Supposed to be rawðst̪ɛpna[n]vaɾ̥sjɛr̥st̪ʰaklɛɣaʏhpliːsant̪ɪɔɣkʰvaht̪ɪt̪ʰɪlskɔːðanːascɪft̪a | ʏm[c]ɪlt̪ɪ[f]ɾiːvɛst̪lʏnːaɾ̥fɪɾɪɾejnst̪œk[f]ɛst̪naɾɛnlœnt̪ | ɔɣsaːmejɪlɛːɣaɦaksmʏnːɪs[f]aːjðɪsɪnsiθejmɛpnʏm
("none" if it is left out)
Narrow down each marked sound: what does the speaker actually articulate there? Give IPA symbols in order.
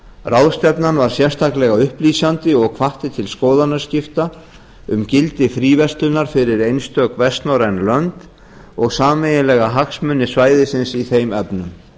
n, c, f, v, v

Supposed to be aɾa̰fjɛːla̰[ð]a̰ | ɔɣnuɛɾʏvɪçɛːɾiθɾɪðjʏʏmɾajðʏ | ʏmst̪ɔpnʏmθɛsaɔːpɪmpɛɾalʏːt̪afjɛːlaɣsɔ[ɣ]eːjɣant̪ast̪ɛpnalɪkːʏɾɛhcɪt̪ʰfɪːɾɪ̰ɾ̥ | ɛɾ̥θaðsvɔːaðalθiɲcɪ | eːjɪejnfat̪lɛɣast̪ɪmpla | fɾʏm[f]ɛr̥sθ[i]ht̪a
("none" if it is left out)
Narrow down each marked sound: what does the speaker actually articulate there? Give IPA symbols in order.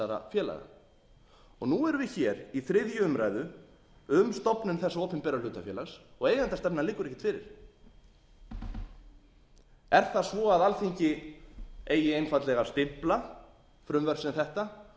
ɣ, ɣ, v, ɛ

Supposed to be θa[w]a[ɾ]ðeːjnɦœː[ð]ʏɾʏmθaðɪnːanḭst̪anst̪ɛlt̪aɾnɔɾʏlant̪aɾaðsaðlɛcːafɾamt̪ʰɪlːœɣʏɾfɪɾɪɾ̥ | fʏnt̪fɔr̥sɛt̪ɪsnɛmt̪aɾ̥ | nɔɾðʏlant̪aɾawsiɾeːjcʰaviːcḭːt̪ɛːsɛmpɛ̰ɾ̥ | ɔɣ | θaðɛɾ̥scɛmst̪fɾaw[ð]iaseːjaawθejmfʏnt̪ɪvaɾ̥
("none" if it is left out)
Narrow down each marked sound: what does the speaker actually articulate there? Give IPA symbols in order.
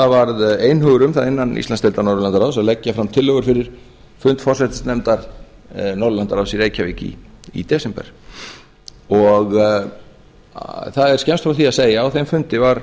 v, ɾ, ɣ, θ

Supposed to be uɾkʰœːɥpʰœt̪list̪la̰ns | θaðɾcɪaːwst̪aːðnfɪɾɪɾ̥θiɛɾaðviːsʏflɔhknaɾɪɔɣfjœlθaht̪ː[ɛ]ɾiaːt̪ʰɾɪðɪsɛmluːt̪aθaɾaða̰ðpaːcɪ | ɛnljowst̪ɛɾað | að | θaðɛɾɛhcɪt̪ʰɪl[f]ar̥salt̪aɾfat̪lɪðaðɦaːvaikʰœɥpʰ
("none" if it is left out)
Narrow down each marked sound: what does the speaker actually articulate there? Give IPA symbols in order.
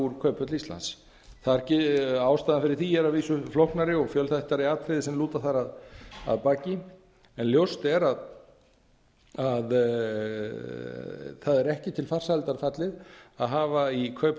a, f

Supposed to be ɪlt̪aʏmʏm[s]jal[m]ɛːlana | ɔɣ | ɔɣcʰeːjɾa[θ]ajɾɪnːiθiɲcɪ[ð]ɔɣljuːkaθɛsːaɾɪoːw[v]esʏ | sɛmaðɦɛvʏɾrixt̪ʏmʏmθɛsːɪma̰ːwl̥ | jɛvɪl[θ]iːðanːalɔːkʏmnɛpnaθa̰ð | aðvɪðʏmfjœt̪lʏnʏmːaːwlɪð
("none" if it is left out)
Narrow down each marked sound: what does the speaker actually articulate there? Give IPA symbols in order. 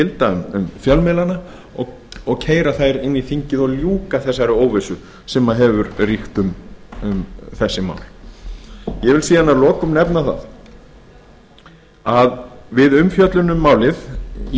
f, m, θ, ð, v, s

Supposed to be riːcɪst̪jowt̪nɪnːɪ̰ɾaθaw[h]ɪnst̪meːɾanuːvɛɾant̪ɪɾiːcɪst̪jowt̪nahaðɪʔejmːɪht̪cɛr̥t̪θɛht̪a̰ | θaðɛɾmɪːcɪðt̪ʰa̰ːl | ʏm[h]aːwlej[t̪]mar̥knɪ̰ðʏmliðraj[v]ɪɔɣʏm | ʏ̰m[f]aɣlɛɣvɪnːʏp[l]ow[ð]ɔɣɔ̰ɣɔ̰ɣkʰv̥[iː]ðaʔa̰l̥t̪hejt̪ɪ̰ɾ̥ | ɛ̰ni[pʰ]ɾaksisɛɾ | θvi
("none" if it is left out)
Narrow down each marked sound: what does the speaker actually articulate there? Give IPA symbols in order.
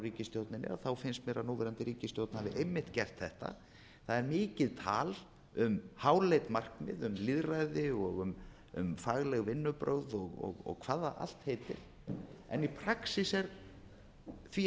f, h, t̪, ð, f, ɾ, ð, aː, pʰ

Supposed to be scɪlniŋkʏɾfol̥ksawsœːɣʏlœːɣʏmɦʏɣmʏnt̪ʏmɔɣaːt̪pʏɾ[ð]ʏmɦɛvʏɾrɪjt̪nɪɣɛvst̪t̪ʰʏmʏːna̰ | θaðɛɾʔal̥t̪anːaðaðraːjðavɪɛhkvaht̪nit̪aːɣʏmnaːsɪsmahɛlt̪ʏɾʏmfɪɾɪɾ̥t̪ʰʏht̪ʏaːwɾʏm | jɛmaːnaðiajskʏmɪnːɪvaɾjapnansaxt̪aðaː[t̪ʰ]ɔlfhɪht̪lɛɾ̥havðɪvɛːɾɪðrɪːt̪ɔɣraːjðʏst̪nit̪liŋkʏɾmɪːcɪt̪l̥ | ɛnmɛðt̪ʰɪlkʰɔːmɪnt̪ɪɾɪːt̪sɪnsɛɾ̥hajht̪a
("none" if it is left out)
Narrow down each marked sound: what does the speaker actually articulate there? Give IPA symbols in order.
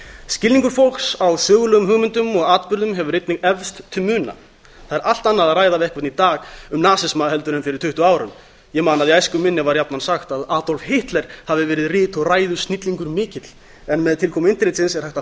ð, t̪

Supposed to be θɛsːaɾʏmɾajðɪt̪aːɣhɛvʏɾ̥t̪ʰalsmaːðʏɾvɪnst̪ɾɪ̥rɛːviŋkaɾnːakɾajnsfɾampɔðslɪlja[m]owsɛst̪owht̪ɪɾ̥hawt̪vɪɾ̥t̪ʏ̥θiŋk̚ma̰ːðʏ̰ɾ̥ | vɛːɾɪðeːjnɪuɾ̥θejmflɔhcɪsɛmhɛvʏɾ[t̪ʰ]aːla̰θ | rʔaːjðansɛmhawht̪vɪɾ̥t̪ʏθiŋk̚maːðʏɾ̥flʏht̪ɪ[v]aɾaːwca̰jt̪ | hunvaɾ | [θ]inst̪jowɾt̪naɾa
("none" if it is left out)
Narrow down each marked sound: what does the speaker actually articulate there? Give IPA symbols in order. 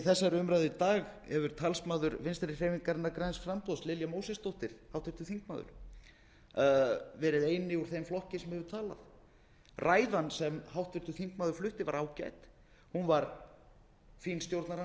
m, t̪ʰ, v, f

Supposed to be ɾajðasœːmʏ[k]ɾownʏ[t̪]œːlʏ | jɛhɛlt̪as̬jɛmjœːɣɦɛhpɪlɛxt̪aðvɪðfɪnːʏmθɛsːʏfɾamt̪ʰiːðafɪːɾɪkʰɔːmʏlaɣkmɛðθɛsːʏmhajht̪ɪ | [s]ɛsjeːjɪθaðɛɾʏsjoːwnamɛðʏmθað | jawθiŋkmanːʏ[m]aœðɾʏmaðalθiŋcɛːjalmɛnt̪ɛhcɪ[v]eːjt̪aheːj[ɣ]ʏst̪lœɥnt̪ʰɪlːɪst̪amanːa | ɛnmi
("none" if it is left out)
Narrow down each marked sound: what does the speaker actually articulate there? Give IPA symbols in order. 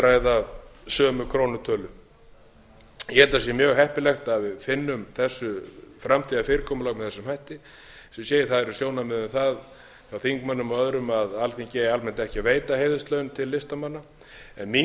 kʰ, t̪ʰ, s, m, v, ð

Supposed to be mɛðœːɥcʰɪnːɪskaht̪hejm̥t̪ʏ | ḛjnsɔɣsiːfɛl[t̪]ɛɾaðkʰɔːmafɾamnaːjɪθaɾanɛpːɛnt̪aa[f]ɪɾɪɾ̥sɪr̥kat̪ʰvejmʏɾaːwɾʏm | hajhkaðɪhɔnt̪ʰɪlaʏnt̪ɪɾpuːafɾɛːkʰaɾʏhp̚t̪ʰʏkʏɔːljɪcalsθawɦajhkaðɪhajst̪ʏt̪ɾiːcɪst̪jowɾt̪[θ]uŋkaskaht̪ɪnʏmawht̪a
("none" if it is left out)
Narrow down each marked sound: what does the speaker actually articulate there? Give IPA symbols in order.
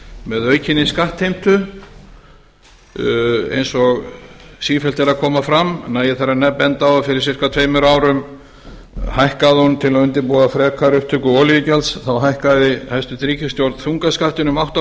t̪, f, θ

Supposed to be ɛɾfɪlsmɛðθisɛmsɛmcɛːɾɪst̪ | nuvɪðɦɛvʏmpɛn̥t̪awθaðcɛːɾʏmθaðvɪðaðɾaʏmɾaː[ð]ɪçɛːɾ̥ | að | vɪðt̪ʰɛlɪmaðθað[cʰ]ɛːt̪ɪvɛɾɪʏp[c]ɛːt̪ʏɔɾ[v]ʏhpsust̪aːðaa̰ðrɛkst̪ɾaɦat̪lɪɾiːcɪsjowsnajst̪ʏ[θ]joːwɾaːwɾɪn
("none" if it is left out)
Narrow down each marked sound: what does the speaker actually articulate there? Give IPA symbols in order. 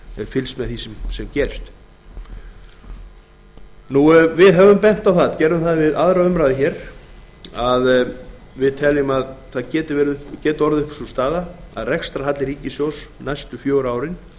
ð, c, c, ð, f

